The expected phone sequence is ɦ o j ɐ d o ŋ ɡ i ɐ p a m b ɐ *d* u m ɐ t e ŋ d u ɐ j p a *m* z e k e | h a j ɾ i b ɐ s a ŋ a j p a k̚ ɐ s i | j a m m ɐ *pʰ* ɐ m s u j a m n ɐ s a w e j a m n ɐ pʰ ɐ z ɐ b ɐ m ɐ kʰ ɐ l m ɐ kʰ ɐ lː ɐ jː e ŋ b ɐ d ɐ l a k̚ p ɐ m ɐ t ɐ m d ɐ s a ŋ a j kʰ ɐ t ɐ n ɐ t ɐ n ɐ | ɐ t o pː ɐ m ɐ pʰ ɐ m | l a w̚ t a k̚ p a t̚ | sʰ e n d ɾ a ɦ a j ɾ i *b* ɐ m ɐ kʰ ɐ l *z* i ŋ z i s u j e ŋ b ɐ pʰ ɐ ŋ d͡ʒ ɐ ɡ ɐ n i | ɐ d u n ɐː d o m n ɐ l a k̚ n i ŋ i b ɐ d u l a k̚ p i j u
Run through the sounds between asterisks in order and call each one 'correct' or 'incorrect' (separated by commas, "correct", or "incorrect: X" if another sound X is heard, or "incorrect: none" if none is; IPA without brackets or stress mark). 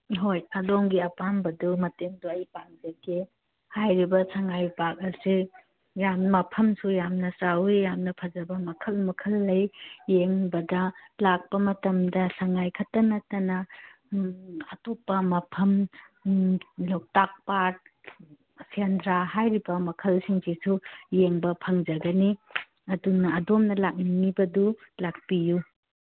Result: correct, incorrect: ŋ, correct, correct, incorrect: s